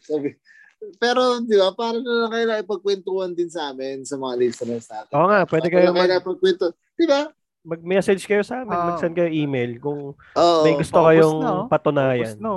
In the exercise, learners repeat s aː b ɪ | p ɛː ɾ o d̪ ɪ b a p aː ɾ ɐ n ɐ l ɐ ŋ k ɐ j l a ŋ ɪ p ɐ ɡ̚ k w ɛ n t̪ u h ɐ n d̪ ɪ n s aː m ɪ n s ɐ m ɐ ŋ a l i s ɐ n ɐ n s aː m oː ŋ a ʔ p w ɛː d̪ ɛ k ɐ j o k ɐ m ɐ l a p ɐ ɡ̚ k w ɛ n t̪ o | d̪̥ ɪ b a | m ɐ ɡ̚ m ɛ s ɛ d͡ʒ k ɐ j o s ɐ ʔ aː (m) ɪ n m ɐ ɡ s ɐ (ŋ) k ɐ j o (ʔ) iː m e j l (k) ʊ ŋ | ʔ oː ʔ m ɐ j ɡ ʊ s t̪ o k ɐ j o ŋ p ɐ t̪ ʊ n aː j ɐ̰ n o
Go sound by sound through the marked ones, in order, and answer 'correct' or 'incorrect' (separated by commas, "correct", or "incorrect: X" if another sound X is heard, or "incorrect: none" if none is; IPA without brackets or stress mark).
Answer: correct, incorrect: n, correct, correct